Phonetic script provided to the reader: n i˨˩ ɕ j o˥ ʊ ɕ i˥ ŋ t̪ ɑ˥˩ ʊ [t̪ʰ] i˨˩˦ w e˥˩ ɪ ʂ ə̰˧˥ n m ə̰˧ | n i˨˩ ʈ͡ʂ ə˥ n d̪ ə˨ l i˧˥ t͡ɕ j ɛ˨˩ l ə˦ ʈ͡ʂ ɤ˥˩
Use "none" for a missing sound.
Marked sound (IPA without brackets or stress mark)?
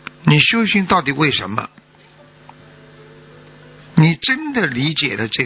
t̪